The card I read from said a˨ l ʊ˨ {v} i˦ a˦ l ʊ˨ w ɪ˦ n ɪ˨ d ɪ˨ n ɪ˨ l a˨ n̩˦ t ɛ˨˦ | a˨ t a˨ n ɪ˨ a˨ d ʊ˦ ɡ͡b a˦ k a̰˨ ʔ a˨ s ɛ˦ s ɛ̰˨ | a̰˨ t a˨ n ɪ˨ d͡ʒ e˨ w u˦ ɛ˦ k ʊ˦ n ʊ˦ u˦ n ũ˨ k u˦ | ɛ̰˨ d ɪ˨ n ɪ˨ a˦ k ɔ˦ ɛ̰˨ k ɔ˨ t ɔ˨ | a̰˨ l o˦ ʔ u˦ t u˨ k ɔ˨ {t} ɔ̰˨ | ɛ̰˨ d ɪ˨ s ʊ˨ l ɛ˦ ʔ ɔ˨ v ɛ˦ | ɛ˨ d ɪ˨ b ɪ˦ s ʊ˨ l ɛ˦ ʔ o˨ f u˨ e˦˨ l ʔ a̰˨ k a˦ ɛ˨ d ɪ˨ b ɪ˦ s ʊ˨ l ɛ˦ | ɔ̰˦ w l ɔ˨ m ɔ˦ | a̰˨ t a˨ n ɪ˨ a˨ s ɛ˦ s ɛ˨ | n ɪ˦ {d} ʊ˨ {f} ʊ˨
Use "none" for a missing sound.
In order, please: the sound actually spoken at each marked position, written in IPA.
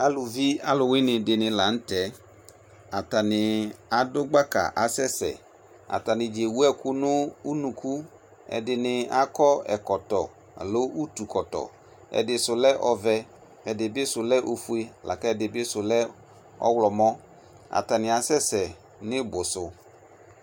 v, t, b, s

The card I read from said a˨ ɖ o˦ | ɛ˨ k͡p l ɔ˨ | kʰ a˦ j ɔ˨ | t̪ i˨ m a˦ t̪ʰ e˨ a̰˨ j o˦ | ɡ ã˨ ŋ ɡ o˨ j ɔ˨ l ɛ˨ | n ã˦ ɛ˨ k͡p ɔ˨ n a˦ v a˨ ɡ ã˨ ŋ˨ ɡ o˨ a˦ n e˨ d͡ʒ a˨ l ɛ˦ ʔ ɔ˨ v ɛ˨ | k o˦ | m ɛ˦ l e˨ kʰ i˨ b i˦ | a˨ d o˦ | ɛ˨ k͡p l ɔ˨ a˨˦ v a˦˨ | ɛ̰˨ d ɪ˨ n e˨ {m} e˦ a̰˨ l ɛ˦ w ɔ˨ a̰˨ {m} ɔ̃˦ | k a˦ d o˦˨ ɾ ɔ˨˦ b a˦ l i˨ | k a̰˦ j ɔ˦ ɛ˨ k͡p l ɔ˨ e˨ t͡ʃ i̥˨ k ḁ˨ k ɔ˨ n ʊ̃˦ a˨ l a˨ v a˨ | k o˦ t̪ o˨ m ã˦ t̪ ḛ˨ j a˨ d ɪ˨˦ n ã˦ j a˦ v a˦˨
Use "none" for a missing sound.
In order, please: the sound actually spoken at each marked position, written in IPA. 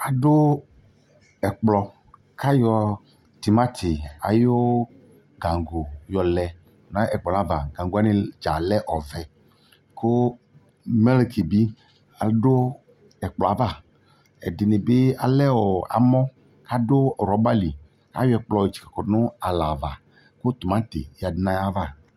b, m

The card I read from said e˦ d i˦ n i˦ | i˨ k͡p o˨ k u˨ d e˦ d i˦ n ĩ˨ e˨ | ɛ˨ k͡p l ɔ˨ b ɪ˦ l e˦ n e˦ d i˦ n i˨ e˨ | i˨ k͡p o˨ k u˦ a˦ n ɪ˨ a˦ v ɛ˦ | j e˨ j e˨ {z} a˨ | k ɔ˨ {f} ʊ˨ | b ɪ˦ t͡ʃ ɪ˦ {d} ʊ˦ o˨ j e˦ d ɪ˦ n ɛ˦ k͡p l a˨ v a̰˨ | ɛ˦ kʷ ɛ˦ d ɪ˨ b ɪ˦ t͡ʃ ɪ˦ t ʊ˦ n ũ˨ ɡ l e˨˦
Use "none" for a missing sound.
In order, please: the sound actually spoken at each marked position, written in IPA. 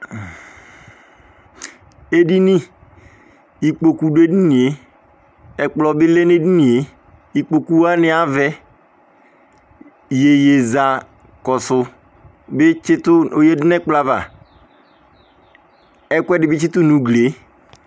z, s, t

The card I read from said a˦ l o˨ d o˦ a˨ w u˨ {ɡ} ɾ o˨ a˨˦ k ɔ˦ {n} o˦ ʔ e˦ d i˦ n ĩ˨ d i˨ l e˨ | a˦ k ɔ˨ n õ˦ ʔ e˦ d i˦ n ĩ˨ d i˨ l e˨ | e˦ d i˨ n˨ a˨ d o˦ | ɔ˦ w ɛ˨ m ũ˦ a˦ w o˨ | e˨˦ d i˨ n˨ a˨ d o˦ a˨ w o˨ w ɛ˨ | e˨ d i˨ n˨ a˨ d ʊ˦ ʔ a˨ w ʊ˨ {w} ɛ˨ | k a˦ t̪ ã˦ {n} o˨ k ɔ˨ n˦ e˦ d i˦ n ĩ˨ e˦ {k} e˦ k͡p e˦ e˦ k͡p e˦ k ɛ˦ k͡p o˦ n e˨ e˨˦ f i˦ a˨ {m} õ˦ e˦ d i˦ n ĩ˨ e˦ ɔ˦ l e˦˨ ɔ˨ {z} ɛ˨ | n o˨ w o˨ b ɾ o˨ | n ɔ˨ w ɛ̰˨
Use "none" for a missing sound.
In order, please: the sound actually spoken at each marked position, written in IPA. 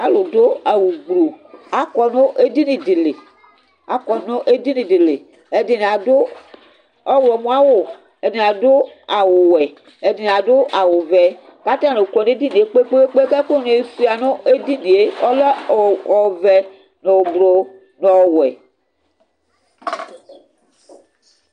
ɡ͡b, n, v, n, k͡p, n, v

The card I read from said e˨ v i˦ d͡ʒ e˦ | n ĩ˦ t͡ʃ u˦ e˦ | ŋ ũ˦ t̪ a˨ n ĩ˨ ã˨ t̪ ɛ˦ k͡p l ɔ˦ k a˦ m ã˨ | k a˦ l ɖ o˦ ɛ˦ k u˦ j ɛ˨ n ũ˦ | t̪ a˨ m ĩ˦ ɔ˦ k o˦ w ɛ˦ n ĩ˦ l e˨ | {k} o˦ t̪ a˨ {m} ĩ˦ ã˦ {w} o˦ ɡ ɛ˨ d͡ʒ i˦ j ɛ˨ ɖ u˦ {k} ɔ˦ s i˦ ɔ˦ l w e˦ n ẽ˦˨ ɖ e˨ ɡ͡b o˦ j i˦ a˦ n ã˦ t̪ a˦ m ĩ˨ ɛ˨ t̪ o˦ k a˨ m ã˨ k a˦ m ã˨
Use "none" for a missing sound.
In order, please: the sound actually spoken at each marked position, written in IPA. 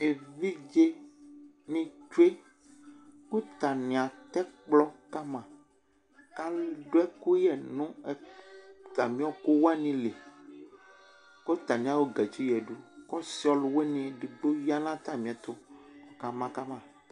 k, n, w, k

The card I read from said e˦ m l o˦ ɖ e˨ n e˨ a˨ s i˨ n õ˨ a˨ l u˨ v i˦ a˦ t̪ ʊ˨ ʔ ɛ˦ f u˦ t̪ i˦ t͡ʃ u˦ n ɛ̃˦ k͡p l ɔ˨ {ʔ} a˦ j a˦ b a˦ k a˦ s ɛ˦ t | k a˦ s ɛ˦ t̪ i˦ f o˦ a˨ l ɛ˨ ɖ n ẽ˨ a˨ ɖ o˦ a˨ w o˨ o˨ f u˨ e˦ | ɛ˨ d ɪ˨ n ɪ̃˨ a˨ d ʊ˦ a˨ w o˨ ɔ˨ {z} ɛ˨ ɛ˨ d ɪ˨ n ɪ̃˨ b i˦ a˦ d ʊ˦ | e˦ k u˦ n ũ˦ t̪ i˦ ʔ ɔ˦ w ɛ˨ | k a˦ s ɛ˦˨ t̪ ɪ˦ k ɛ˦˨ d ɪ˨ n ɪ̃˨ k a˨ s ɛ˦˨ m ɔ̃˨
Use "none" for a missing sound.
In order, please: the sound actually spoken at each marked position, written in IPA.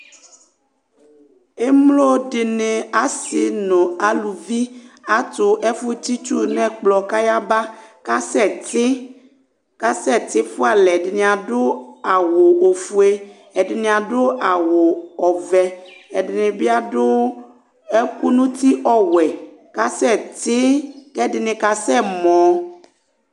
k, v

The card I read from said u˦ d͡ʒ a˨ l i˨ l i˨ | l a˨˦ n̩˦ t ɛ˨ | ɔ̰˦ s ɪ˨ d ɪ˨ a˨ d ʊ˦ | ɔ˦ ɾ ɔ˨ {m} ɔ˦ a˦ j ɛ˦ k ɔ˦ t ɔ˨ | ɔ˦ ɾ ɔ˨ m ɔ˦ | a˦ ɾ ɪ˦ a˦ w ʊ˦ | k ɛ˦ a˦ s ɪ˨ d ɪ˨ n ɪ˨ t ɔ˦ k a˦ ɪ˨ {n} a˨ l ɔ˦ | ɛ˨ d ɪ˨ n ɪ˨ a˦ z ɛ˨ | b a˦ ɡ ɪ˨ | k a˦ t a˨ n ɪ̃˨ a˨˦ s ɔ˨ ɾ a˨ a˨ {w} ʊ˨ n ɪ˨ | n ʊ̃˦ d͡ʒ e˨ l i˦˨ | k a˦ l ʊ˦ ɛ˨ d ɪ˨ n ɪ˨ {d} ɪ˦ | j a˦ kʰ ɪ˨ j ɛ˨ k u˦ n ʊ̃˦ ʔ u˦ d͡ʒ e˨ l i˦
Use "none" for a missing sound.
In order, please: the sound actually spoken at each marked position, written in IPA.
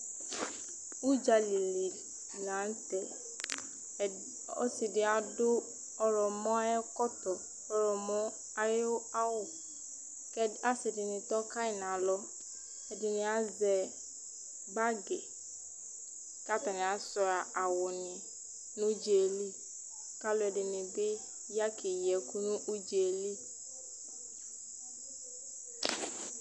m, n, w, b

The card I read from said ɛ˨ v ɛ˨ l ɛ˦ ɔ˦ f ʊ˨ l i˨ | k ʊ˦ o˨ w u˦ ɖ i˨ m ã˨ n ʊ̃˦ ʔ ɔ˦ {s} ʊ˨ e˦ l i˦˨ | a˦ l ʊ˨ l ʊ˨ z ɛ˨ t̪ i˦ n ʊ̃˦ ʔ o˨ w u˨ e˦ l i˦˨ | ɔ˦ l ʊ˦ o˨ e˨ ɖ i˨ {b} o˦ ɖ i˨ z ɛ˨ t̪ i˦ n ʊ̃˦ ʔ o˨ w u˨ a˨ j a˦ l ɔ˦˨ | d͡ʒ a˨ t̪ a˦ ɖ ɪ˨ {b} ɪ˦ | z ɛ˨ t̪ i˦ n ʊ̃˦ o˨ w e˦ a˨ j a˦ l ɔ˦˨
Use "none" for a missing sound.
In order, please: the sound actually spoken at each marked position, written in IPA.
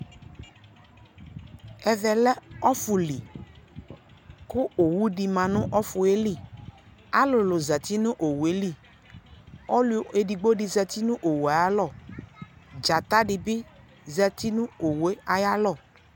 f, ɡ͡b, b

